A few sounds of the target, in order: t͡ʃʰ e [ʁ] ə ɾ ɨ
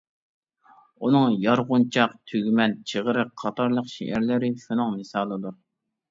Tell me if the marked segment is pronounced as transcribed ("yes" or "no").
yes